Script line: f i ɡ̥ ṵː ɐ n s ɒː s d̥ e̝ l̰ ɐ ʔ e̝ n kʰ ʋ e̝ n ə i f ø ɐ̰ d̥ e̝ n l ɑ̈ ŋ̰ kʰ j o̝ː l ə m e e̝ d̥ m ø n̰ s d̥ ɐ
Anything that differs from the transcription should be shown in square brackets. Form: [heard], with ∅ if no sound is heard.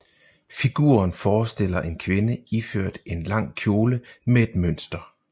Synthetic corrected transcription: f i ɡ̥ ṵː ɐ n [f] ɒː s d̥ e̝ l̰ ɐ ʔ e̝ n kʰ ʋ e̝ n ə i f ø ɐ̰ d̥ e̝ n l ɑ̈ ŋ̰ kʰ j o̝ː l ə m e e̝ d̥ m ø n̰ s d̥ ɐ